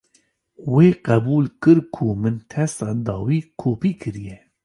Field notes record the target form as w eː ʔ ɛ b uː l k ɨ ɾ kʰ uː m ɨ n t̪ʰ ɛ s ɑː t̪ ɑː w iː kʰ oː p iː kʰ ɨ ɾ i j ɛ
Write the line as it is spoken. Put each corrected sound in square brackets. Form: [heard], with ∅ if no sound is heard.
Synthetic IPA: w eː [q] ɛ b uː l k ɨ ɾ kʰ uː m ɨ n t̪ʰ ɛ s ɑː [d̪] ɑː w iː kʰ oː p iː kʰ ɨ ɾ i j ɛ